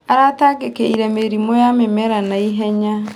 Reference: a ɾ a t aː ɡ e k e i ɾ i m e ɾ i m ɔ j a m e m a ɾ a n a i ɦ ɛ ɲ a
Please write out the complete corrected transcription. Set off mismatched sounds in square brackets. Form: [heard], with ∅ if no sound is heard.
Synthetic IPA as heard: a ɾ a t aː ɡ e k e i ɾ [ɛ] m e ɾ i m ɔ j a m e m [ɛ] ɾ a n a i ɦ ɛ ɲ a